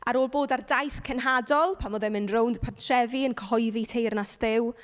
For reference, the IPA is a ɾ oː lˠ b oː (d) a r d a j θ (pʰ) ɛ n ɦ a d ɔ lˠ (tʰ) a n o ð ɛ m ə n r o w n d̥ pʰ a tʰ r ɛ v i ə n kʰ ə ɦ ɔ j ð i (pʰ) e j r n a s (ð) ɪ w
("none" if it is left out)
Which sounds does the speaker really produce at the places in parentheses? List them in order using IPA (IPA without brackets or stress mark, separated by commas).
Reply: d, kʰ, pʰ, tʰ, ð